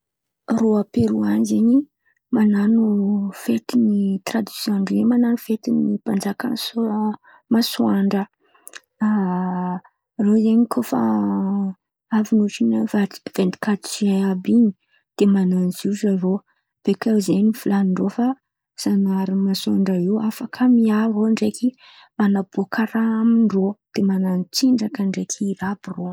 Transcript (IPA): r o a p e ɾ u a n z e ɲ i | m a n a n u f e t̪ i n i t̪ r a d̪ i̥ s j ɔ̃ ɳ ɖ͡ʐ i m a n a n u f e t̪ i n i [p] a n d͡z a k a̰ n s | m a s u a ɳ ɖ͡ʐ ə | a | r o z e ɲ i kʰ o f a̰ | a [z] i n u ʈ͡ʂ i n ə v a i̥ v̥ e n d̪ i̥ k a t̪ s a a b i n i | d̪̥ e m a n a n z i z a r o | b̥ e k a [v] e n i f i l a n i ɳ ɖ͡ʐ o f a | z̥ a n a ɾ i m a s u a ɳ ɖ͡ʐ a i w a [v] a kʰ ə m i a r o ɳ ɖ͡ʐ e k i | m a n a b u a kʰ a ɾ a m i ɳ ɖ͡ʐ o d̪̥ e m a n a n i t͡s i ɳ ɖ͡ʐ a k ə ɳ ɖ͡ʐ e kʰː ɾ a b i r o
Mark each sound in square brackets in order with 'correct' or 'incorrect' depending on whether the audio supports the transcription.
correct, incorrect, incorrect, incorrect

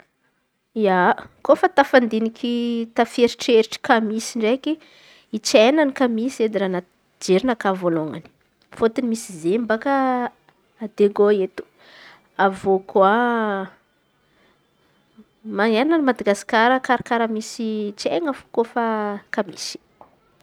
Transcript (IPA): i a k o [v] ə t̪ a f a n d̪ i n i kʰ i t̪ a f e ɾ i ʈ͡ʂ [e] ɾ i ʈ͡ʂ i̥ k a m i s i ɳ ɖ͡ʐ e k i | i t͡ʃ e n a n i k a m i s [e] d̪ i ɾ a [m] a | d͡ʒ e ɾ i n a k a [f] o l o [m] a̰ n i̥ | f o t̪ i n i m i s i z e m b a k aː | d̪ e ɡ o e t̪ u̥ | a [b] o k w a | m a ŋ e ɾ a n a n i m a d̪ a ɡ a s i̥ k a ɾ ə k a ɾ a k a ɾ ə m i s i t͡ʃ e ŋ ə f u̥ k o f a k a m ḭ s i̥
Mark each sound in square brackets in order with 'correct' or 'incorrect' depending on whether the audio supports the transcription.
incorrect, correct, correct, incorrect, incorrect, incorrect, incorrect

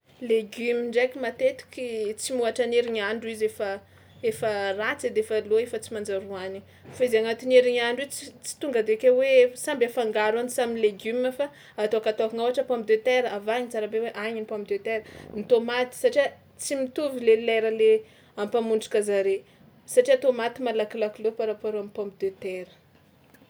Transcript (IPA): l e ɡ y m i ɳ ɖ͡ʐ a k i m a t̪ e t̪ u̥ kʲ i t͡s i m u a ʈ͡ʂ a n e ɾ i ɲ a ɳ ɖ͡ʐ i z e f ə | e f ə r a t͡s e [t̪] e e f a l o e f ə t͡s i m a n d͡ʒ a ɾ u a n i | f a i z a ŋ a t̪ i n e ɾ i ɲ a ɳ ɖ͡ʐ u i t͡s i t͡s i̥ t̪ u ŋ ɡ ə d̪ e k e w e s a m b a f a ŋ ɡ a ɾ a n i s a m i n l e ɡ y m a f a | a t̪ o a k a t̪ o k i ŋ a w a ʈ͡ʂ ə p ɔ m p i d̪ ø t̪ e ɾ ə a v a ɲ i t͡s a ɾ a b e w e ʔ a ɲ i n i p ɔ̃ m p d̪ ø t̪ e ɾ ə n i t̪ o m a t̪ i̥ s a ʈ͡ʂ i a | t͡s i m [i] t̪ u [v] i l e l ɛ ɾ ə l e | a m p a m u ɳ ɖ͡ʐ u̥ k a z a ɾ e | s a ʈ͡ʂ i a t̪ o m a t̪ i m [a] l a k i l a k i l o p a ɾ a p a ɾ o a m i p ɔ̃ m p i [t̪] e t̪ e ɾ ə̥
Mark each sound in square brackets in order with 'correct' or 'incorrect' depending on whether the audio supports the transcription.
incorrect, correct, correct, correct, incorrect

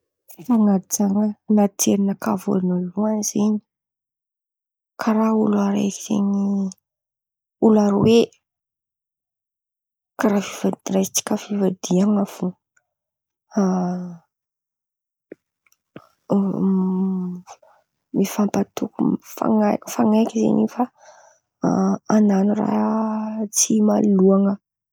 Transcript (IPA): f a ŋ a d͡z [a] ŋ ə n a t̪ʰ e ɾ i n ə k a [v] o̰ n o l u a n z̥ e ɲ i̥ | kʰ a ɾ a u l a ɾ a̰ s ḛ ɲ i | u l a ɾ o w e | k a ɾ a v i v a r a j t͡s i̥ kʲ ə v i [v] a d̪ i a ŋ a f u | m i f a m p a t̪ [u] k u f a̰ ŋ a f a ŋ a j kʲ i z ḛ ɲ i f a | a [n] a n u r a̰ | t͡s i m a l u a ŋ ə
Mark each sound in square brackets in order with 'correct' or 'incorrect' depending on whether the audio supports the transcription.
correct, correct, correct, correct, correct

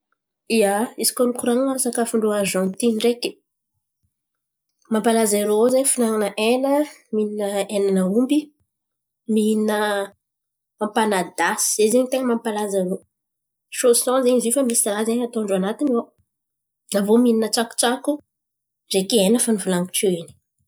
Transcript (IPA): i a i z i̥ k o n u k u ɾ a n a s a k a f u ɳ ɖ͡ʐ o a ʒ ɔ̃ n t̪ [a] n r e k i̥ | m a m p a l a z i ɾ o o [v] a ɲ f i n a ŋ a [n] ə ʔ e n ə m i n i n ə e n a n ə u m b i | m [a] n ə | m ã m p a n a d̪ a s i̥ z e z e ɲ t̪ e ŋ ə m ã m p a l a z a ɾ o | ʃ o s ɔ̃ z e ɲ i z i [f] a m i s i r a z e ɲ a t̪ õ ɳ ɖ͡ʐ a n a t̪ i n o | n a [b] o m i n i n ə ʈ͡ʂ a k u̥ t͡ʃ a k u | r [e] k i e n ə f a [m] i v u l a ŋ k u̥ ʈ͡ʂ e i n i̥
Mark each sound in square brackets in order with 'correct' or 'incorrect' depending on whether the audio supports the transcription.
incorrect, incorrect, correct, incorrect, correct, incorrect, correct, incorrect

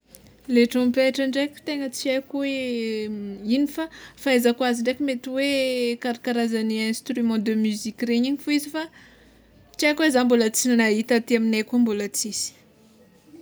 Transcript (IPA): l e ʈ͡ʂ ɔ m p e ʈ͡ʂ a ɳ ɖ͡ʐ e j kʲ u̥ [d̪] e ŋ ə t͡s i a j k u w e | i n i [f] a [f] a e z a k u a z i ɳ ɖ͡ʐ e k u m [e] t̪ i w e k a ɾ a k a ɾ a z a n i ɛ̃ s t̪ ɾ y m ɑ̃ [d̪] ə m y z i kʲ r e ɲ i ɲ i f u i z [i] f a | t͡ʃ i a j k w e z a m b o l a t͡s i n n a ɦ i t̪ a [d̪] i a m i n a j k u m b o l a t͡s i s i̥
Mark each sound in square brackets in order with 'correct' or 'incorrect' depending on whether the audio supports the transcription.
incorrect, correct, correct, correct, correct, correct, incorrect

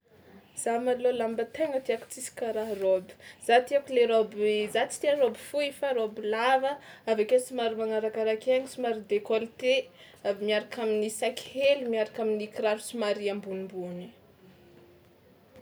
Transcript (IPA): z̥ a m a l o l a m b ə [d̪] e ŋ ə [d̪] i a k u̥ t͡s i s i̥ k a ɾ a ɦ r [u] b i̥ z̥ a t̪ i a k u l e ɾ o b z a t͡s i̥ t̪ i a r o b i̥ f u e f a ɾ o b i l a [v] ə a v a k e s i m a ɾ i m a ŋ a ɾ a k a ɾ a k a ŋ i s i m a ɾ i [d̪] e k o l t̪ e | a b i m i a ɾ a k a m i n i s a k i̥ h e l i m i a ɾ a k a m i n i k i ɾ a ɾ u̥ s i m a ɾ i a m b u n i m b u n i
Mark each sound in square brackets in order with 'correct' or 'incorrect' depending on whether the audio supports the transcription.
incorrect, incorrect, incorrect, correct, correct

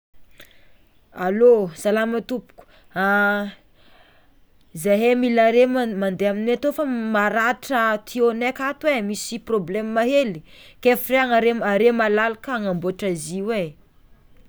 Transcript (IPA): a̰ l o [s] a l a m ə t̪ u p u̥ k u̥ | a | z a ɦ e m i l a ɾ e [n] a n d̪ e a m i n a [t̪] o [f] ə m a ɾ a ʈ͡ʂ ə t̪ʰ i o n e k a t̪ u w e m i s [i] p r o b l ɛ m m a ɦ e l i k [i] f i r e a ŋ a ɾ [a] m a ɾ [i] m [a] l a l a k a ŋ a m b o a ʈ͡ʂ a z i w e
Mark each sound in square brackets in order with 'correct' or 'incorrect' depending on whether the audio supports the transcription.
correct, incorrect, correct, correct, correct, incorrect, incorrect, incorrect, correct

